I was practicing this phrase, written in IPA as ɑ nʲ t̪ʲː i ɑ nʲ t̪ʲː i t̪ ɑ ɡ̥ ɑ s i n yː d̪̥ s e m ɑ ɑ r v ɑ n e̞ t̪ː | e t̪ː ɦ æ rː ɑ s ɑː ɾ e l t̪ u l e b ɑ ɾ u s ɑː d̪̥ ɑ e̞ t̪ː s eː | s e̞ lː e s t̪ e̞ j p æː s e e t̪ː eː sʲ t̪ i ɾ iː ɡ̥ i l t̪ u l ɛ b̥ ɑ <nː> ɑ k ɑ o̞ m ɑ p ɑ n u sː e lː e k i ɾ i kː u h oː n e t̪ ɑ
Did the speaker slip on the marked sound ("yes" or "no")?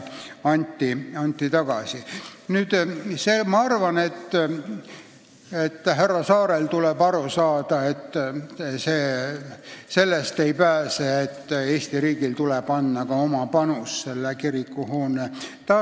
no